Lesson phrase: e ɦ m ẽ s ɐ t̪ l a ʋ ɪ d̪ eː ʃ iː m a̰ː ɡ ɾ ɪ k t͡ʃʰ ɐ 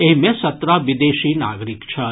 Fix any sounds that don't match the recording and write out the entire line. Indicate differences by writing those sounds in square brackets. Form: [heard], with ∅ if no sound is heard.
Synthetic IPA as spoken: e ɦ m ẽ s ɐ t̪ [ɾ] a ʋ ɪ d̪ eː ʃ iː [n] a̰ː ɡ ɾ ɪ k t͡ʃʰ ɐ